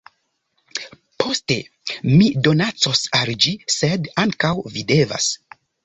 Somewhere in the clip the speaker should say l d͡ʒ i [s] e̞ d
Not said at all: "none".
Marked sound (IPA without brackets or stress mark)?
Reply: s